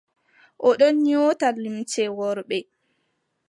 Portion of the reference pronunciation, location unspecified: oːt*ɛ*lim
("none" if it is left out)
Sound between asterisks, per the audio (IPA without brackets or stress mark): a